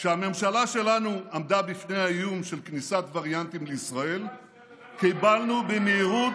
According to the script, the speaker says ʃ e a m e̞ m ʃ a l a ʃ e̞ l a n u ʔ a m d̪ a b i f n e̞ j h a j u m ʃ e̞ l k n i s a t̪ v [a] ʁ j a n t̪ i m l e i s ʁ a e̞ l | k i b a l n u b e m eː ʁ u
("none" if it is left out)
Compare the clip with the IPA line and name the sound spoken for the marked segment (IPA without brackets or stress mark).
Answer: a